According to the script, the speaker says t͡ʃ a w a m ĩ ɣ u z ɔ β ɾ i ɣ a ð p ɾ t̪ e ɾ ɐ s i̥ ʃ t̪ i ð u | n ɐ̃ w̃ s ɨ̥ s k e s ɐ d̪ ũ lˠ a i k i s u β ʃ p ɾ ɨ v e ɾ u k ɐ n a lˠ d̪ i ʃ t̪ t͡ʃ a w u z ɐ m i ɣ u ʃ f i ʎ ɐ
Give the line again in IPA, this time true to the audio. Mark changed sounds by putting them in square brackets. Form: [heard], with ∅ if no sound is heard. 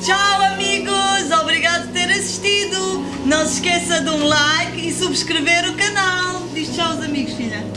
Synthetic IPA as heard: t͡ʃ a w [ɐ] m [i] ɣ u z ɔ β ɾ i ɣ a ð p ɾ t̪ e ɾ ɐ s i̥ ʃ t̪ i ð u | n ɐ̃ w̃ s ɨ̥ [ʃ] k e s ɐ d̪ ũ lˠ a [j] k i s u β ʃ [k] ɾ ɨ v e ɾ u k ɐ n a lˠ d̪ i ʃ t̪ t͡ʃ a w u z ɐ m i ɣ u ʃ f i ʎ ɐ